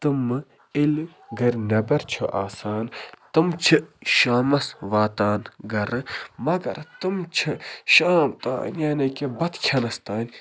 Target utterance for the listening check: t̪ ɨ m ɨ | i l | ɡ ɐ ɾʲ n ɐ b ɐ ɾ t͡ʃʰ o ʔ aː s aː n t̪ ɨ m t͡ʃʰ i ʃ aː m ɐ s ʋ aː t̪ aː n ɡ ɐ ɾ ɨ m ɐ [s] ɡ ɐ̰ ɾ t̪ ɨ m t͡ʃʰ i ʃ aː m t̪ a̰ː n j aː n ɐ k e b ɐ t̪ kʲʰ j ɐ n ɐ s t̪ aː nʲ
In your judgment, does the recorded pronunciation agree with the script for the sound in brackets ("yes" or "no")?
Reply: no